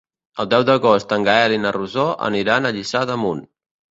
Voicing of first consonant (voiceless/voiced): voiced